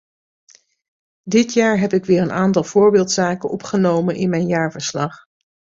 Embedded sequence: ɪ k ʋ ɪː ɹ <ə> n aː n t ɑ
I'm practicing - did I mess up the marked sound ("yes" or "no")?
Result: no